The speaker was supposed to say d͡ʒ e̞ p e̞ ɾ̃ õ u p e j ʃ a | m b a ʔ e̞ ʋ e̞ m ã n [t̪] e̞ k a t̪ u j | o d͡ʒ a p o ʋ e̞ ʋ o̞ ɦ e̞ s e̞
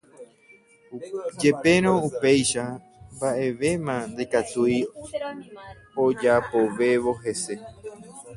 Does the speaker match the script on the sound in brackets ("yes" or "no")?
no